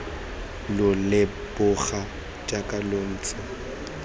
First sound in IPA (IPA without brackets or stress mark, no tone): l